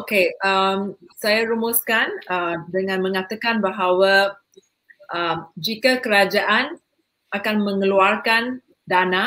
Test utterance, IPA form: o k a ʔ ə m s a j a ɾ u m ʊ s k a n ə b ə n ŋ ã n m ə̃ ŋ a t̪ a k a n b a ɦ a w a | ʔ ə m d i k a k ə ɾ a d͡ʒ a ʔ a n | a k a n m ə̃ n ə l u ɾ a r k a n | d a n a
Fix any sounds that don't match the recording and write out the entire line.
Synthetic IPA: o k e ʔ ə m s a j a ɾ u m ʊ s k a n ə d ə ŋ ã n m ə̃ ŋ a t̪ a k a n b a ɦ a w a | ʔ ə m d͡ʒ i k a k ə ɾ a d͡ʒ a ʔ a n | a k a n m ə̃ ŋ ə l u a r k a n | d a n a